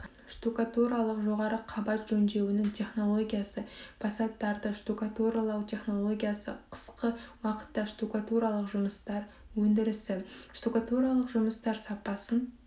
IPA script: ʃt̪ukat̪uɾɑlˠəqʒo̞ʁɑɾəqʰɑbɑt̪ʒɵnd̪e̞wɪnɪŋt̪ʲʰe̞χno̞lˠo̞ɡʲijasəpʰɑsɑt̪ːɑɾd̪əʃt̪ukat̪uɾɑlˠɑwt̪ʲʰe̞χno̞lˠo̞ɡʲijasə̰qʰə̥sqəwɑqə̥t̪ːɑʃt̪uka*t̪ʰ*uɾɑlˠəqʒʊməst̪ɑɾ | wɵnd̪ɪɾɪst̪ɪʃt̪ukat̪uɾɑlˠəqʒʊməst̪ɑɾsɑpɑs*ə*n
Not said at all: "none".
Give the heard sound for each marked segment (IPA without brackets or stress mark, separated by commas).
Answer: t̪, ə